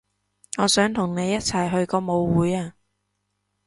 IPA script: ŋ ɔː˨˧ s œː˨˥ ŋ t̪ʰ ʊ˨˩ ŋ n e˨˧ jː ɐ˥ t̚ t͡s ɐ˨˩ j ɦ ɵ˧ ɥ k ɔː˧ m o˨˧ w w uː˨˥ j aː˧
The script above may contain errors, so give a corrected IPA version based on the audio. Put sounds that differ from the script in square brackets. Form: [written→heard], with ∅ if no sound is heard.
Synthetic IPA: ŋ ɔː˨˧ s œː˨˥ ŋ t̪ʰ ʊ˨˩ ŋ n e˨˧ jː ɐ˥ t̚ [t͡s→t͡sʰ] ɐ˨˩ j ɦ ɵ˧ ɥ k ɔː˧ m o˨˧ w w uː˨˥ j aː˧